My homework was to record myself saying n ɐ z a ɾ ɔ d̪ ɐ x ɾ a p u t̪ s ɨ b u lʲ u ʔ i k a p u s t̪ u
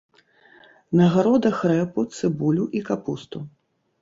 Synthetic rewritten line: n ɐ ɣ a ɾ ɔ d̪ ɐ x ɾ ɛ p u t̪ s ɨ b u lʲ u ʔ i k a p u s t̪ u